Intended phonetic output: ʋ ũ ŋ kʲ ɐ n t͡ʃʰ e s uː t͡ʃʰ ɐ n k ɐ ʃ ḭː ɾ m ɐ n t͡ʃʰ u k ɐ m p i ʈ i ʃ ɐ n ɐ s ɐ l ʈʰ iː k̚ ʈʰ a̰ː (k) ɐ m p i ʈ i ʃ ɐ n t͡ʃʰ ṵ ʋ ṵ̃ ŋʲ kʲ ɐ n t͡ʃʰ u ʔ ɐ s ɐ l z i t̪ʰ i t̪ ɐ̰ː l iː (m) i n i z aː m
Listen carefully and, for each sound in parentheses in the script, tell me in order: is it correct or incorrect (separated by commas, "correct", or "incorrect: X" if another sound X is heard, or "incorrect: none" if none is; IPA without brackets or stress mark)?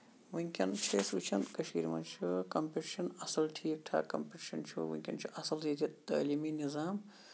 correct, correct